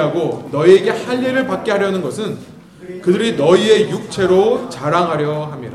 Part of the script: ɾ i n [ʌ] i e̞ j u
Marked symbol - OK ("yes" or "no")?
yes